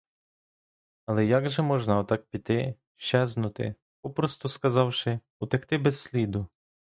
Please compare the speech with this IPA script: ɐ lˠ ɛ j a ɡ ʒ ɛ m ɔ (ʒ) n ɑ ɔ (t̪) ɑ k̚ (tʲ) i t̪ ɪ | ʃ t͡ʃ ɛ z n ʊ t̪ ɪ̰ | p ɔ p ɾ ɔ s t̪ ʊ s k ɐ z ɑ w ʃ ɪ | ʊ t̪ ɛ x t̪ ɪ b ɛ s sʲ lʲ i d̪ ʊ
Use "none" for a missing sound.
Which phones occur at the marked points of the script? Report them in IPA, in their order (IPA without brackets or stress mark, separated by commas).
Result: ʒ, t̪, pʲ